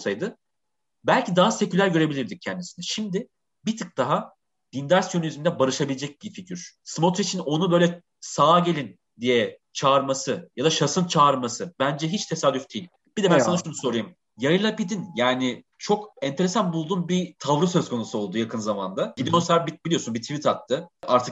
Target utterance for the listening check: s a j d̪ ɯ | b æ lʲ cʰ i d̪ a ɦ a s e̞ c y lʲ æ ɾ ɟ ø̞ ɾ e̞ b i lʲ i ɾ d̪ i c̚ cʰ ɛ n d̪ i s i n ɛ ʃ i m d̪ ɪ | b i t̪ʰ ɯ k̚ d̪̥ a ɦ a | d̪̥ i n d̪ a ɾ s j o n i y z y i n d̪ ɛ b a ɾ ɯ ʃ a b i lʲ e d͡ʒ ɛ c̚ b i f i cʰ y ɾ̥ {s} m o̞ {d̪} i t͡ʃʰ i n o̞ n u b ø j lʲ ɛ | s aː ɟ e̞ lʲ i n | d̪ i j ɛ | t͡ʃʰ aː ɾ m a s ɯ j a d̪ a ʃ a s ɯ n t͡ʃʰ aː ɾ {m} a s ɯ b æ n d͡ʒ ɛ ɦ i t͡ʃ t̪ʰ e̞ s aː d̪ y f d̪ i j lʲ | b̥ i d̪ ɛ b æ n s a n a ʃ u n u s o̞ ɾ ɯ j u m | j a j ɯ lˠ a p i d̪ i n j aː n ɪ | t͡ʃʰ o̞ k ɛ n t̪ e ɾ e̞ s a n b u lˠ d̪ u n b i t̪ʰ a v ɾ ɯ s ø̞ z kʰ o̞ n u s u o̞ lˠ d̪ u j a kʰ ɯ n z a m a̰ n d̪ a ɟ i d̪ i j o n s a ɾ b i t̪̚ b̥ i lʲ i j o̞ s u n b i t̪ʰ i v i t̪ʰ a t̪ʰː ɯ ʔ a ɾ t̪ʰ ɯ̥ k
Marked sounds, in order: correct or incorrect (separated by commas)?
correct, incorrect, correct